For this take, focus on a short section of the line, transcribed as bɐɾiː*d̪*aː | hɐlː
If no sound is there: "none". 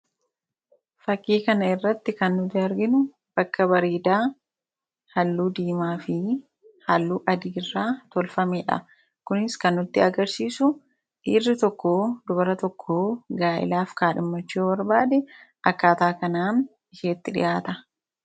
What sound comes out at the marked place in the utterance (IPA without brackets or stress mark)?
d̪